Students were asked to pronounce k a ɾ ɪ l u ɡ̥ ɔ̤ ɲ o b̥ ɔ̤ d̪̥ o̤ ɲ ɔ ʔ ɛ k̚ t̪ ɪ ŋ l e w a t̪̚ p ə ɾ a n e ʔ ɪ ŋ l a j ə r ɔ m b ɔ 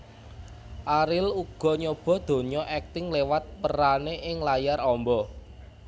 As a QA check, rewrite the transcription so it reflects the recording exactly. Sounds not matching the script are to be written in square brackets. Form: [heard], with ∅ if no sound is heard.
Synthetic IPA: [ʔ] a ɾ ɪ l u ɡ̥ ɔ̤ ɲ o b̥ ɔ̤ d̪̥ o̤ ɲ ɔ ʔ ɛ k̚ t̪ ɪ ŋ l e w a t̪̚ p ə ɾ a n e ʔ ɪ ŋ l a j [a] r ɔ m b ɔ